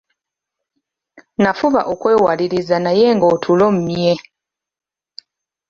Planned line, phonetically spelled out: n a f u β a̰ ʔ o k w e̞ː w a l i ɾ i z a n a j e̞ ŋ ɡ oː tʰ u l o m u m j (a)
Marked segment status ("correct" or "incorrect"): incorrect